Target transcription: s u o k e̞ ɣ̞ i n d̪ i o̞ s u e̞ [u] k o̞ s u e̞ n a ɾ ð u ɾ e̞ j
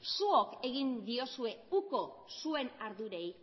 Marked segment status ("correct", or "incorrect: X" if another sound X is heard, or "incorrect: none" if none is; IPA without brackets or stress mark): correct